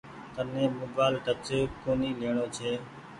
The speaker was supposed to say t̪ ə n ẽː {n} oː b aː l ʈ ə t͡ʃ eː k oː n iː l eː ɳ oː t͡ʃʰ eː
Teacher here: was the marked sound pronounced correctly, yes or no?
no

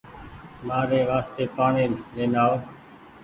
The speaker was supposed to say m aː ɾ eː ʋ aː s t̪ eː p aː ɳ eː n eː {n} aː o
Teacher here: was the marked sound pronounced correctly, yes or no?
yes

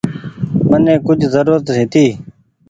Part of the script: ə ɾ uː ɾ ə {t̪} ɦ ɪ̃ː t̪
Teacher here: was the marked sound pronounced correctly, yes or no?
yes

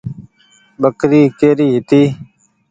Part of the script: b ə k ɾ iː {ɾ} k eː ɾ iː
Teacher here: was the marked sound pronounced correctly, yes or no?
no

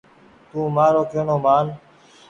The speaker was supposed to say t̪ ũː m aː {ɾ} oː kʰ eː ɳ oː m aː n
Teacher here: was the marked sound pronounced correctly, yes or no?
yes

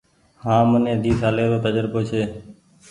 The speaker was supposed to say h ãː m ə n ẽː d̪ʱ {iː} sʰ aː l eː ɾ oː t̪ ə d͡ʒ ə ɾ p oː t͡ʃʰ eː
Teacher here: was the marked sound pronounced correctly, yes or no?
yes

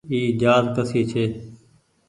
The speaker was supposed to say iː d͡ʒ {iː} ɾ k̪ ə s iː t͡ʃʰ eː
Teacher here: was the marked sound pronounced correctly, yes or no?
no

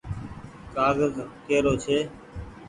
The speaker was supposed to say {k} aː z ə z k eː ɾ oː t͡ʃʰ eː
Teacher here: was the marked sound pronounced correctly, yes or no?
yes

